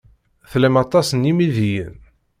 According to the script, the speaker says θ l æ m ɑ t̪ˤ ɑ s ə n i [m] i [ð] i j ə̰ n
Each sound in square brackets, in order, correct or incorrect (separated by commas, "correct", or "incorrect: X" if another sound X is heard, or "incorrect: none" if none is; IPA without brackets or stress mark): correct, correct